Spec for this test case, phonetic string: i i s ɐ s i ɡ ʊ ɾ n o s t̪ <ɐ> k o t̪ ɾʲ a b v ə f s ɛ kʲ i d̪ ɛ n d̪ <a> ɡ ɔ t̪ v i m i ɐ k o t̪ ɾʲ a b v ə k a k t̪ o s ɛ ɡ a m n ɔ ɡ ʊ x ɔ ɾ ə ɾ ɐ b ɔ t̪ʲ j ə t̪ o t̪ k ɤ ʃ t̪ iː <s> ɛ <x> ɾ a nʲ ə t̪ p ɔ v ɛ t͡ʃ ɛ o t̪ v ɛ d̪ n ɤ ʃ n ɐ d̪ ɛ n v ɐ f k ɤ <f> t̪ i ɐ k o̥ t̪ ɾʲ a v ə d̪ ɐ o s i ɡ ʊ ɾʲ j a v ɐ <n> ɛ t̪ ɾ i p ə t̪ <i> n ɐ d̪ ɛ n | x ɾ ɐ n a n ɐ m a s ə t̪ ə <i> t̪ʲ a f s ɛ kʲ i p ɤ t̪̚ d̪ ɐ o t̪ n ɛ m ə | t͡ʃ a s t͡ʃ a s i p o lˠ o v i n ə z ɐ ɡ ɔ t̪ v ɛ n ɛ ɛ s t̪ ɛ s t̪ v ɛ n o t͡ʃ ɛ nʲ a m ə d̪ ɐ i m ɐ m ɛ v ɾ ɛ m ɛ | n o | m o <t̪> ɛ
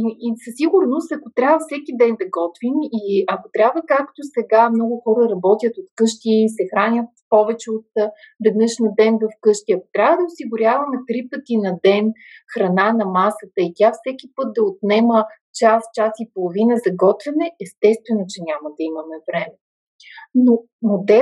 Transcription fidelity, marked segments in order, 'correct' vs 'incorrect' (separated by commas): correct, incorrect, correct, correct, incorrect, incorrect, correct, correct, incorrect